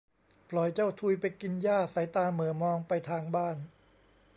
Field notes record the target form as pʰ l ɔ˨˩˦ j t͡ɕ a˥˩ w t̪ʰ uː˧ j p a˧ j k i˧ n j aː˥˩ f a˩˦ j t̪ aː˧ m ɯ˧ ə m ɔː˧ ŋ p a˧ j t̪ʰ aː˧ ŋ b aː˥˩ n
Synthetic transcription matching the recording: pʰ l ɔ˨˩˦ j t͡ɕ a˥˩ w t̪ʰ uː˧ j p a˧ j k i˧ n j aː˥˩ s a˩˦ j t̪ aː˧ m ɯ˩˦ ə m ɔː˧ ŋ p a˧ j t̪ʰ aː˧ ŋ b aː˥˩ n